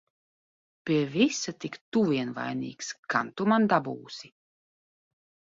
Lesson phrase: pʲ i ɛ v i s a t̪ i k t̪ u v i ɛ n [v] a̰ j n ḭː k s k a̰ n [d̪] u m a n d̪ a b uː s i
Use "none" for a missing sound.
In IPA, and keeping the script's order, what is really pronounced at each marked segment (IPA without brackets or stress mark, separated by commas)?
v, t̪